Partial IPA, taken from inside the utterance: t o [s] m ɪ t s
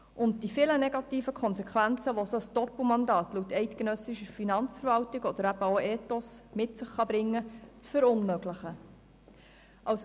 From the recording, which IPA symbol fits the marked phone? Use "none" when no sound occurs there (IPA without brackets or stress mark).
s